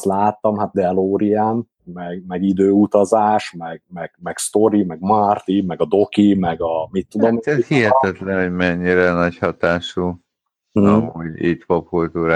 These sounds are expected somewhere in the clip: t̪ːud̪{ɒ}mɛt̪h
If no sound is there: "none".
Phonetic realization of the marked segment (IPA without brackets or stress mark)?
o